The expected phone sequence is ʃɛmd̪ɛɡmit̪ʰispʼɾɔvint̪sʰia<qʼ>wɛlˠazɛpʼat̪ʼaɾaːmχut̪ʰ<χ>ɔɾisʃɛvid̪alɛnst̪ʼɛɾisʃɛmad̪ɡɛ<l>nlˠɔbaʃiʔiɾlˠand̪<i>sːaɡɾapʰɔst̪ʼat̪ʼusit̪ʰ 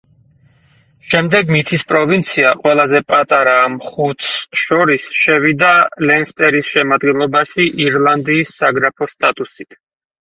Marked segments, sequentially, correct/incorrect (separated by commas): correct, incorrect, incorrect, incorrect